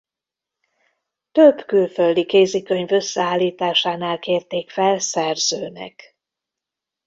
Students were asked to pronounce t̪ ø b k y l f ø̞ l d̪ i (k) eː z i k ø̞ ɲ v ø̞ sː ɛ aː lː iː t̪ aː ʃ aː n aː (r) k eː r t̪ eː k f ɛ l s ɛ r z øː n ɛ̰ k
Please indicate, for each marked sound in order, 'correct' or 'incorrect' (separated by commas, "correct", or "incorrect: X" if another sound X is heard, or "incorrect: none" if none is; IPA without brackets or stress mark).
correct, incorrect: l